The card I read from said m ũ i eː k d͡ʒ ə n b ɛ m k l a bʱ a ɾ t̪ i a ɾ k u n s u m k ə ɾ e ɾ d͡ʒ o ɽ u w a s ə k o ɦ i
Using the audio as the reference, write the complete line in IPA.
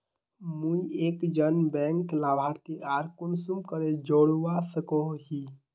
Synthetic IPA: m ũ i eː k d͡ʒ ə n b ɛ ŋ k l a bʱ a ɾ t̪ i a ɾ k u n s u m k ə ɾ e d͡ʒ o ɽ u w a s ə k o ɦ i